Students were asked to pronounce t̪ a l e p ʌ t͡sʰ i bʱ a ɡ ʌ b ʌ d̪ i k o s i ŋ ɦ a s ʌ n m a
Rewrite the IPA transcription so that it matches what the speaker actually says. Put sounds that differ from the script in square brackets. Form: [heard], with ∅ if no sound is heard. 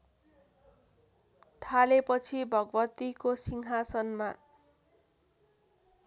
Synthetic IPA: [t̪ʰ] a l e p ʌ t͡sʰ i bʱ [ʌ] ɡ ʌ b ʌ [t̪] i k o s i ŋ ɦ a s ʌ n m a